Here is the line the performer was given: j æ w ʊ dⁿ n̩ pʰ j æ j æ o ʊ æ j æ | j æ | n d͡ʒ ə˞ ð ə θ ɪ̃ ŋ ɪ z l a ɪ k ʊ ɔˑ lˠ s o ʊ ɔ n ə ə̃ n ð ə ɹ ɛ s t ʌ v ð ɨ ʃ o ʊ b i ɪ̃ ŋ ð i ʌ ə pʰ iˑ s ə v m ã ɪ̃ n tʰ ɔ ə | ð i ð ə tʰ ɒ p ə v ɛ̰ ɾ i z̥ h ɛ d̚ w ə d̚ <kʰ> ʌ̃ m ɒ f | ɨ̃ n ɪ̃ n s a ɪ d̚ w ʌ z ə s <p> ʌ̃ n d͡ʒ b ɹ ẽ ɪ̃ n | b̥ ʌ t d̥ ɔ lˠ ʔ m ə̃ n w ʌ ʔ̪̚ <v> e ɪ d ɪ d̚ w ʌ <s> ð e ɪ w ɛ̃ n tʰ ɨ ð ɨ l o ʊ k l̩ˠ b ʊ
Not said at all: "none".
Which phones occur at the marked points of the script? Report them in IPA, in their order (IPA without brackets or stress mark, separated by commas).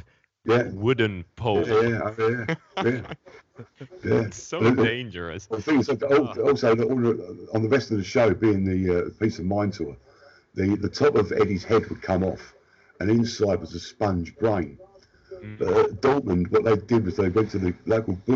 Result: kʰ, p, ð, z